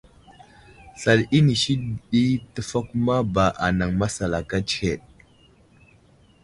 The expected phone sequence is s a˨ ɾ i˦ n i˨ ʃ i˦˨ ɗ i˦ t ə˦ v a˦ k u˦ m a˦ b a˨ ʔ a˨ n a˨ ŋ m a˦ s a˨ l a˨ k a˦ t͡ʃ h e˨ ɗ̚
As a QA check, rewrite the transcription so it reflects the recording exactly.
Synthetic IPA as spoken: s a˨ l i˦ n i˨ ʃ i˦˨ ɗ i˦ t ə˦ f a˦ k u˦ m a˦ b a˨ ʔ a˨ n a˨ ŋ m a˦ s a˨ l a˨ k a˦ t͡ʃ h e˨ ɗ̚